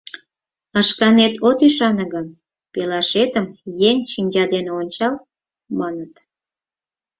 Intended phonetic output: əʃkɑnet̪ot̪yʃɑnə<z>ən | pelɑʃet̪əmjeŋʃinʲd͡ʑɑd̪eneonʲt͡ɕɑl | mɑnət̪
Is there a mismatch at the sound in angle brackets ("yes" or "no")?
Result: yes